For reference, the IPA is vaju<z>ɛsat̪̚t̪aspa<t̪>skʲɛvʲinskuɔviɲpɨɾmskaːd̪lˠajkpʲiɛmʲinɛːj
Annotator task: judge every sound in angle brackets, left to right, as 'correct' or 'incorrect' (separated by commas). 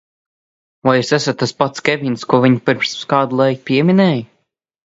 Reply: incorrect, correct